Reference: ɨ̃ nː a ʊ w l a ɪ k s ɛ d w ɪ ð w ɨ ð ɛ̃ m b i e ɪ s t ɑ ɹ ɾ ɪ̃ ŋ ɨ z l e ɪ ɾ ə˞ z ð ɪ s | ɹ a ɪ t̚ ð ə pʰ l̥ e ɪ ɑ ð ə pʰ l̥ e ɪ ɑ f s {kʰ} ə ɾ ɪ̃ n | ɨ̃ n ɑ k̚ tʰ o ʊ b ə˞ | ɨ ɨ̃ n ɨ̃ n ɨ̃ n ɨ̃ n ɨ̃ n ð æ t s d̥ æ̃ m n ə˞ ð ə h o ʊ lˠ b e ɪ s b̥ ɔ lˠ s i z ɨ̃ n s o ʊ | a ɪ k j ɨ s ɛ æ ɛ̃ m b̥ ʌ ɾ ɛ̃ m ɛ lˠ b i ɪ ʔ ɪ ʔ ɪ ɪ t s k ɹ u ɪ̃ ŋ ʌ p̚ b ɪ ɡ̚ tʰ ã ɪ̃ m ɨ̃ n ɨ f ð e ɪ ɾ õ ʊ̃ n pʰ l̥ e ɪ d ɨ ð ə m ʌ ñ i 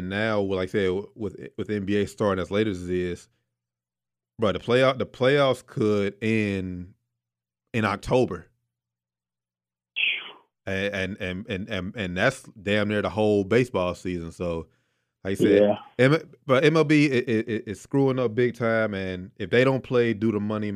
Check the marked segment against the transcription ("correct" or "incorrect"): correct